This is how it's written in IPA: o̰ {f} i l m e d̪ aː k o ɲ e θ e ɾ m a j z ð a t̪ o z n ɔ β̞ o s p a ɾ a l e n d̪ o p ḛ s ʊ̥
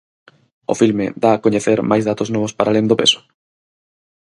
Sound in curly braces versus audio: correct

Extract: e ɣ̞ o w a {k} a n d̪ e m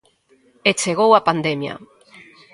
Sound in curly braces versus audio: incorrect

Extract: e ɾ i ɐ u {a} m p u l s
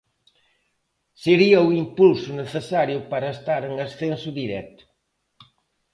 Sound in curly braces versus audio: incorrect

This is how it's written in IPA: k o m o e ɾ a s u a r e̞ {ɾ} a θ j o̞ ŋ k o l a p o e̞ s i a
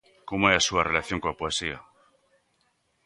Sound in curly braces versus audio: incorrect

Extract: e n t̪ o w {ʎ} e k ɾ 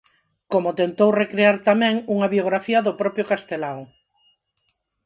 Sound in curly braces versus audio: incorrect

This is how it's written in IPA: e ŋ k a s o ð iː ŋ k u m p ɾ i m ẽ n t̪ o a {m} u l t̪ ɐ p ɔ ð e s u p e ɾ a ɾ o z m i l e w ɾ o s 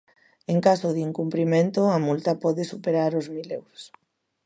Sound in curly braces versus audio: correct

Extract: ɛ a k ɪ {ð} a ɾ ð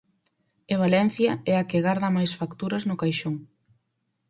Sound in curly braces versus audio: incorrect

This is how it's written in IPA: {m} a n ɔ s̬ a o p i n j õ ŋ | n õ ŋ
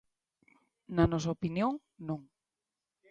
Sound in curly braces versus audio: incorrect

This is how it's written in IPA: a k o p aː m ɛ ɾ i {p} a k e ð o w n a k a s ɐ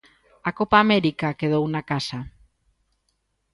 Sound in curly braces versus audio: incorrect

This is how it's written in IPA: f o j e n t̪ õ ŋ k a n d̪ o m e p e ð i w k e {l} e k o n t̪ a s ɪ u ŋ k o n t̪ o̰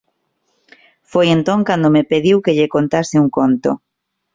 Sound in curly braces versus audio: incorrect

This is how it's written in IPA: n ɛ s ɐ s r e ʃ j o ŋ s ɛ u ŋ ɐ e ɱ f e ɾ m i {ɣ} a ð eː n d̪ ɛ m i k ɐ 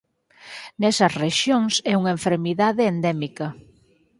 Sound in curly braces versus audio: incorrect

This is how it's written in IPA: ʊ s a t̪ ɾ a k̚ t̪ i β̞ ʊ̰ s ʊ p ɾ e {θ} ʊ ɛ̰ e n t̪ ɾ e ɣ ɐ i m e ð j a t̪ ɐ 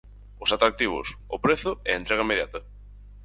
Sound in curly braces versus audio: correct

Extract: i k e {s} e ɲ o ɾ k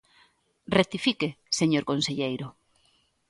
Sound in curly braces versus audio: correct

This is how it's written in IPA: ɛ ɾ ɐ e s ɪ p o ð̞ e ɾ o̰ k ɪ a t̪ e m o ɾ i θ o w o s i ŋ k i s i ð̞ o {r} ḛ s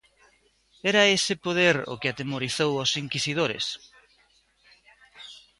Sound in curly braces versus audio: incorrect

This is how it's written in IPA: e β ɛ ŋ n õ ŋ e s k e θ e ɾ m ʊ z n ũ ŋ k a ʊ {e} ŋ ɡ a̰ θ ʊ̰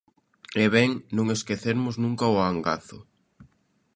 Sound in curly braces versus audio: incorrect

